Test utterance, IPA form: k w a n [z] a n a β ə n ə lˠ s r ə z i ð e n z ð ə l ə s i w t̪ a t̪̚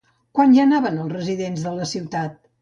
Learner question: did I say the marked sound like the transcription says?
no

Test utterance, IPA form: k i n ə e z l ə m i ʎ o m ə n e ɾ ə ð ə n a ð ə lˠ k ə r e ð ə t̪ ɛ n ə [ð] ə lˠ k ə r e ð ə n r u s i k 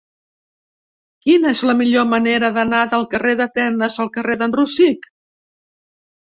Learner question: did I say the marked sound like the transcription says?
no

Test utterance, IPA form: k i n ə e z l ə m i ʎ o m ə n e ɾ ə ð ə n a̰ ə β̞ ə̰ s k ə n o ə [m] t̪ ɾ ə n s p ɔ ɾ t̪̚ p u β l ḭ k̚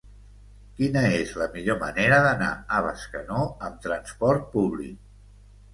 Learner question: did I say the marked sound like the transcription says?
yes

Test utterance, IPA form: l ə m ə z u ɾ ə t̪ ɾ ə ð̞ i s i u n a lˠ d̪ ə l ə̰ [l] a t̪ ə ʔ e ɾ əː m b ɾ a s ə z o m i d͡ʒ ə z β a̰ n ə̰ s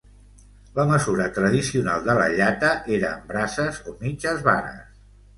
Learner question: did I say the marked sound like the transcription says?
no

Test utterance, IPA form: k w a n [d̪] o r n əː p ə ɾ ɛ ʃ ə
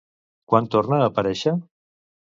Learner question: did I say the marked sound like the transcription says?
no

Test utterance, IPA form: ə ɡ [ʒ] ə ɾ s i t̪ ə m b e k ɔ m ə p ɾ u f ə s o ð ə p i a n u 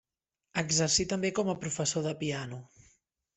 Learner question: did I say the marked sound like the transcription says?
no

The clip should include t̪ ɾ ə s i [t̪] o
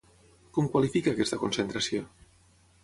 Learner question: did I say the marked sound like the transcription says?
no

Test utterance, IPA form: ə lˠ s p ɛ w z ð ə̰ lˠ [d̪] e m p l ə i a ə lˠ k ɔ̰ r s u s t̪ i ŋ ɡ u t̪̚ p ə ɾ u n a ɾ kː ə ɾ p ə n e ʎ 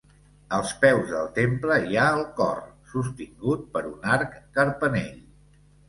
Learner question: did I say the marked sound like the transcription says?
no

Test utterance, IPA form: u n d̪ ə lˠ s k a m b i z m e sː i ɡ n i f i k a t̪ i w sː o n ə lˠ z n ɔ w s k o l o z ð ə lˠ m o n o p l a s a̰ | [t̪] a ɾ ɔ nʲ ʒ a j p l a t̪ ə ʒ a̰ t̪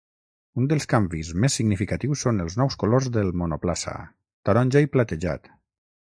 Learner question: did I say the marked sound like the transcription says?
yes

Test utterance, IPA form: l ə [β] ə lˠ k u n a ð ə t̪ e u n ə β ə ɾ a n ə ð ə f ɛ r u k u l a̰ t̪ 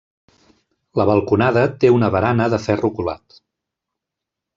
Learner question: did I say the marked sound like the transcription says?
yes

